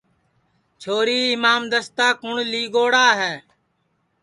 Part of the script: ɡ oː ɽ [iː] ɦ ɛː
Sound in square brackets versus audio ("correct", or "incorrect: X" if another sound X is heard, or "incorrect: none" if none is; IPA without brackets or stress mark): incorrect: aː